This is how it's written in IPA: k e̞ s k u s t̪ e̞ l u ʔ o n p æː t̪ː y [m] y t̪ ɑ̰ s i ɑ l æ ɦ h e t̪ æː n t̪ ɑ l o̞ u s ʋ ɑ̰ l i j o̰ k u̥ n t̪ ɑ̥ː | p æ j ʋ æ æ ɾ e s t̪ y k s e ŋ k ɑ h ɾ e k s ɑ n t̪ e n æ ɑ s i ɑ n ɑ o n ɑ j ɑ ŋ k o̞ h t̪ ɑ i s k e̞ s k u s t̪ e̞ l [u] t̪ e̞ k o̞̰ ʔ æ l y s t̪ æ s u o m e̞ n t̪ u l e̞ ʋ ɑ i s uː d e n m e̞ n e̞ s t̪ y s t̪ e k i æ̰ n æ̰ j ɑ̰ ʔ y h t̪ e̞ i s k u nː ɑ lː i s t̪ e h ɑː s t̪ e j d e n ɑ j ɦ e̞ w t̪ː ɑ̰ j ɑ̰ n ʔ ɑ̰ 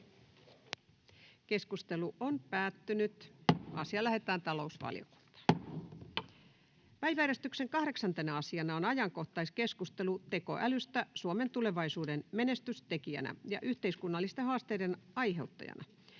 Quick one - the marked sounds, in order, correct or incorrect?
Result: incorrect, correct

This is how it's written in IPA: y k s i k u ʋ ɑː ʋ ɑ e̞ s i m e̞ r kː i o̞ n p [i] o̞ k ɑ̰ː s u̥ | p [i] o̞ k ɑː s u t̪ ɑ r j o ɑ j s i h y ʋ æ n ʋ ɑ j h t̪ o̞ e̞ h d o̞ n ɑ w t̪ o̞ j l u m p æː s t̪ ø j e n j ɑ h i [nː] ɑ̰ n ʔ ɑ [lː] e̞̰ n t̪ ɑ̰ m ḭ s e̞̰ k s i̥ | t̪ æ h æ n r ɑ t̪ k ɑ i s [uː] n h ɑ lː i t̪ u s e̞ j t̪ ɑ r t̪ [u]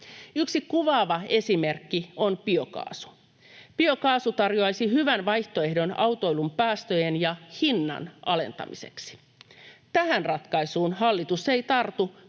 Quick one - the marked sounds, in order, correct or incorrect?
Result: correct, correct, correct, incorrect, correct, correct

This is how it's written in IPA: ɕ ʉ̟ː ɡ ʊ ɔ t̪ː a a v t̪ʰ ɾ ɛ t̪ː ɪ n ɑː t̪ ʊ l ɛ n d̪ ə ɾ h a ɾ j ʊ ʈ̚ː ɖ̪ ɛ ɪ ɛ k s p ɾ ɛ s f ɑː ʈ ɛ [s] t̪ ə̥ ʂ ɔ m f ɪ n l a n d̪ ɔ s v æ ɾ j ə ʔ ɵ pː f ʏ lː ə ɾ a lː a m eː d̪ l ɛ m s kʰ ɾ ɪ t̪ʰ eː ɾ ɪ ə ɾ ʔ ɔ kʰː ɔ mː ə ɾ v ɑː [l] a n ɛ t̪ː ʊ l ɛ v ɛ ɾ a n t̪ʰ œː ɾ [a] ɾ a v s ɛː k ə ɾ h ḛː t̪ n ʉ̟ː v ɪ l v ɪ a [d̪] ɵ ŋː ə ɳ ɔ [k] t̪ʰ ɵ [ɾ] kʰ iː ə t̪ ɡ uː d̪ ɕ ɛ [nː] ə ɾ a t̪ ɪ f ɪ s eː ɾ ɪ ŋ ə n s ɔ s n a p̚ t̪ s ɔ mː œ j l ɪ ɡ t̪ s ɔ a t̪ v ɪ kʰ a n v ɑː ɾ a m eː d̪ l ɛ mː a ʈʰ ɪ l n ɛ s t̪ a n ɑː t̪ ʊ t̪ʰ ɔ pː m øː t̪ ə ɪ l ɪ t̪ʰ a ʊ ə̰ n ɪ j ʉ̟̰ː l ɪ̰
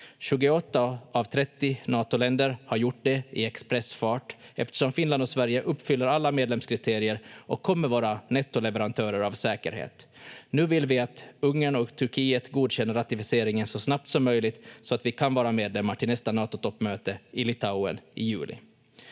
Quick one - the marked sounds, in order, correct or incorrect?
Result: incorrect, incorrect, incorrect, incorrect, correct, correct, correct

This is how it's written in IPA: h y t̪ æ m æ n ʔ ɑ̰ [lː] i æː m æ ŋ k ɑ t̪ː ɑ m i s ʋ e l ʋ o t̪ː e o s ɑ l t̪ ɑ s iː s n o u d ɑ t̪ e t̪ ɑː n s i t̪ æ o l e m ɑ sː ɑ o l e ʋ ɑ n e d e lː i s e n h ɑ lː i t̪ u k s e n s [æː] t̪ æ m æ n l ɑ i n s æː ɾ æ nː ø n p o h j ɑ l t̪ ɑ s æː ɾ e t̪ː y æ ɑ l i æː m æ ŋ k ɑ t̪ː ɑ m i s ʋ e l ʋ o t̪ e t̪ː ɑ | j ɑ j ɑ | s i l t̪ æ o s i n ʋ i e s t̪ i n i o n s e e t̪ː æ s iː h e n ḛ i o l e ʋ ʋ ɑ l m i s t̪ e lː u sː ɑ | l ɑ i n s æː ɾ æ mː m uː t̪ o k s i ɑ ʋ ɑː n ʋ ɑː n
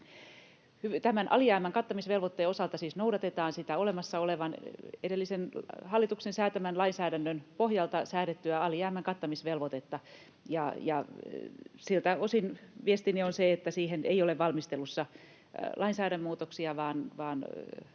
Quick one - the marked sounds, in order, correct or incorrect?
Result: incorrect, correct

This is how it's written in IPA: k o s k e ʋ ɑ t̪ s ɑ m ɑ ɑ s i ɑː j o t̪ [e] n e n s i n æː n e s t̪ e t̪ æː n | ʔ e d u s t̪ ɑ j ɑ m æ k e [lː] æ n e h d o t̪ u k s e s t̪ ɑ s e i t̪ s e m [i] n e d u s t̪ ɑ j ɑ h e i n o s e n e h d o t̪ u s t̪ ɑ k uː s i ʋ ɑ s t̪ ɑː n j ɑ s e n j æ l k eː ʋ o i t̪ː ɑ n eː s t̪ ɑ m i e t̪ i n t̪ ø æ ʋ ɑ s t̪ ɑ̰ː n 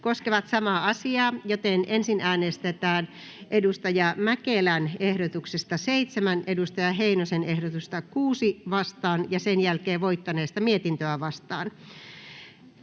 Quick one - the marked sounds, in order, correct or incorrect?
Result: correct, incorrect, incorrect

